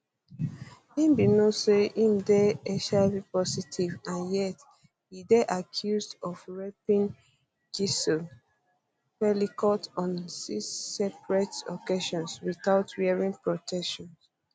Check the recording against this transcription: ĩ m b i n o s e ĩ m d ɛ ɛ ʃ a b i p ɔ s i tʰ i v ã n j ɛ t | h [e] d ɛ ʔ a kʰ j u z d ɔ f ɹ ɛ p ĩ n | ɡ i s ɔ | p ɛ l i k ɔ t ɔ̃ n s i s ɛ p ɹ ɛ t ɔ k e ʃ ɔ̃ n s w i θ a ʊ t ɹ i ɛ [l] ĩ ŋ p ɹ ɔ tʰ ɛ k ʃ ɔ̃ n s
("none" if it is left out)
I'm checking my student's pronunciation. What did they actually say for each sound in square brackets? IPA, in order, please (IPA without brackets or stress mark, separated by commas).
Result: i, ɹ